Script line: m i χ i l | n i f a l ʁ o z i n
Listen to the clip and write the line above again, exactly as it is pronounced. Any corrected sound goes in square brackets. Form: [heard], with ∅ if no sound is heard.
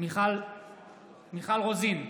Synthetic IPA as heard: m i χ [a] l | [m] i [χ] a l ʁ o z i n